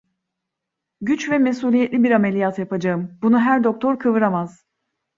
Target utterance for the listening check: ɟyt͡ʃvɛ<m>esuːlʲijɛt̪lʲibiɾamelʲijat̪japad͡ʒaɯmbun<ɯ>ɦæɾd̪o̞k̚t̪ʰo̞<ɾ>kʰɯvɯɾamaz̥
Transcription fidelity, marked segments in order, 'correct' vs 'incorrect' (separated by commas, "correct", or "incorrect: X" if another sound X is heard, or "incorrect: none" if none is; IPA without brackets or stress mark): correct, incorrect: u, correct